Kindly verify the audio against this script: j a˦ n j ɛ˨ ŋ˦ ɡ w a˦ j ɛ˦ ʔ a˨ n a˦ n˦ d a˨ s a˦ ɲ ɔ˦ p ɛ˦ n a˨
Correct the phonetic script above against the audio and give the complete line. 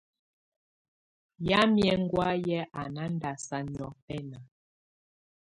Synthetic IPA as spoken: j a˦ m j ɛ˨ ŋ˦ ɡ w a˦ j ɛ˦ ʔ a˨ n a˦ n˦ d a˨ s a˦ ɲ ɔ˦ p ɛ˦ n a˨